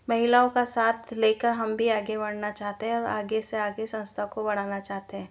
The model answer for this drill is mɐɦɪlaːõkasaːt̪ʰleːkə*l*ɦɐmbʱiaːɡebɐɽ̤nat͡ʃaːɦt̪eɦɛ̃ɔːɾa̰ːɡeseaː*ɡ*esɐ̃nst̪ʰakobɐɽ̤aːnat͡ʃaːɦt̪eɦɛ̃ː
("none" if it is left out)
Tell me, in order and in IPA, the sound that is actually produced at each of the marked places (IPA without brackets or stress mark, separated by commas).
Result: ɾ, ɡ